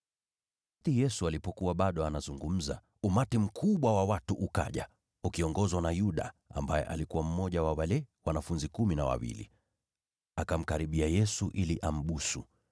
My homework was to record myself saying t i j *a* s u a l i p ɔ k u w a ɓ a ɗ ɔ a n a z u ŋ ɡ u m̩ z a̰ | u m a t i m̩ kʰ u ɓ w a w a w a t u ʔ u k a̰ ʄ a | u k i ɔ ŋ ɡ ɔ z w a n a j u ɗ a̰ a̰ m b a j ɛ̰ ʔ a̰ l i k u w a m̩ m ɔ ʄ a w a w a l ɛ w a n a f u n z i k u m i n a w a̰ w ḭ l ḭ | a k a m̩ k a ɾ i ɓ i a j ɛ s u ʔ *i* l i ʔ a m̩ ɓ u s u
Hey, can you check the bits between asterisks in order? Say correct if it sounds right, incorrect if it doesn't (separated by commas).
incorrect, correct